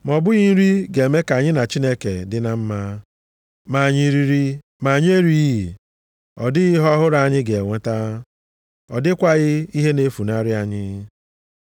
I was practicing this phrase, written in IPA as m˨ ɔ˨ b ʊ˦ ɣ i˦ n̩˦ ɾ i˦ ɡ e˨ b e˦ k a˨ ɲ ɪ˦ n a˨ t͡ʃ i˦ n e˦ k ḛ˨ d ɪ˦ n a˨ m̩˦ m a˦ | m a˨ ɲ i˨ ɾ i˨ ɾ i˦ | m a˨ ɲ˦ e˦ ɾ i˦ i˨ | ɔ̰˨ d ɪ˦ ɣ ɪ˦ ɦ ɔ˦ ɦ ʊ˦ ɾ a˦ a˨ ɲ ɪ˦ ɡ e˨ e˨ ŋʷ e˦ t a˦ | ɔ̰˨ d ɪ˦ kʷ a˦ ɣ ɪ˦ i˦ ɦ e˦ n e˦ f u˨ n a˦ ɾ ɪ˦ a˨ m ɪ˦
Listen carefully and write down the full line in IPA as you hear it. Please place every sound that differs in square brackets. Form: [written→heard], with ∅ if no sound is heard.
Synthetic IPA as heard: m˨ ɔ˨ b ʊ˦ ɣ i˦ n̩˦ ɾ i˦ ɡ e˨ [b→m] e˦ k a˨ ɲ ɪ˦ n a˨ t͡ʃ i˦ n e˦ k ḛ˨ d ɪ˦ n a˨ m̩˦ m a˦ | m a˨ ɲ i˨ ɾ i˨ ɾ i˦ | m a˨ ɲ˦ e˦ ɾ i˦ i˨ | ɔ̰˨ d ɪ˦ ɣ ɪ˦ ɦ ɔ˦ ɦ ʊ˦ ɾ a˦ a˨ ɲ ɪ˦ ɡ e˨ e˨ ŋʷ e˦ t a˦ | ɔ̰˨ d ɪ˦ kʷ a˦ ɣ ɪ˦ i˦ ɦ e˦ n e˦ f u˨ n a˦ ɾ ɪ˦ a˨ [m→ɲ] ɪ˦